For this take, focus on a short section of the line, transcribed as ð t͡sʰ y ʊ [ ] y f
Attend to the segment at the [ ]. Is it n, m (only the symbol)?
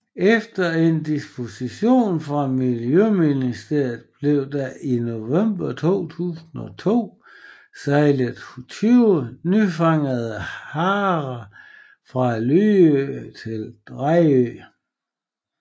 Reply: n